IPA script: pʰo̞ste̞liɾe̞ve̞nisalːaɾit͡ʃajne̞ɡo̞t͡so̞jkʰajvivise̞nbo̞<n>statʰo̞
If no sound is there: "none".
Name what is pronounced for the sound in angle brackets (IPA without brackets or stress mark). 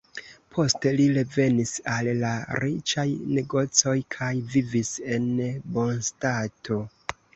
n